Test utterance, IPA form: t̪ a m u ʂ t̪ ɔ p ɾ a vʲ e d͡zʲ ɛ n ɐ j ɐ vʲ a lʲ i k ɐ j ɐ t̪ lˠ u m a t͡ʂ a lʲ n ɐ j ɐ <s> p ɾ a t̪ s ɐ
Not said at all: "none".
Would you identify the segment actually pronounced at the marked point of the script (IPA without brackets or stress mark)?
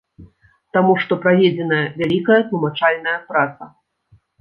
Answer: none